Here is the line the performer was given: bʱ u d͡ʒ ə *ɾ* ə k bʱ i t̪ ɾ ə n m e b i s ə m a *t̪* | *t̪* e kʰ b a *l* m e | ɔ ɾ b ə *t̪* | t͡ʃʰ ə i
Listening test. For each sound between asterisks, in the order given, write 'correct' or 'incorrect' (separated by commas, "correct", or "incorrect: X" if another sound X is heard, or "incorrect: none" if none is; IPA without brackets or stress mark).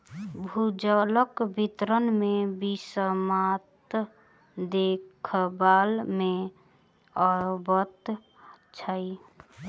incorrect: l, correct, incorrect: d̪, correct, correct